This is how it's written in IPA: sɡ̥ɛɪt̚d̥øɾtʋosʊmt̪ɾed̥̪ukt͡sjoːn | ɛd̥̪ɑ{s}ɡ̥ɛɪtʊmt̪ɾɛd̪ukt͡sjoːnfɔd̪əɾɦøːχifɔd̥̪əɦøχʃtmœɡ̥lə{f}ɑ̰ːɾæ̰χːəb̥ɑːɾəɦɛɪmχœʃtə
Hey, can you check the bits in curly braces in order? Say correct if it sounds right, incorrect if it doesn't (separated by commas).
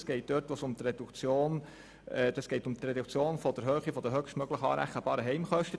correct, incorrect